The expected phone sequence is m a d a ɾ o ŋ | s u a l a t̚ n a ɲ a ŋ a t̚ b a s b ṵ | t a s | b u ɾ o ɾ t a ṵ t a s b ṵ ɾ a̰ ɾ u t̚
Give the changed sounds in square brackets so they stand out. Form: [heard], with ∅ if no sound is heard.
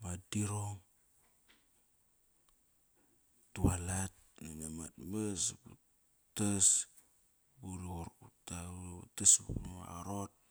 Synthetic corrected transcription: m a d [i] ɾ o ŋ | [t] u a l a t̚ n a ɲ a [m] a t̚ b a s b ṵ | t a s | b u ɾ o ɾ t a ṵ t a s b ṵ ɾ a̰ ɾ [o] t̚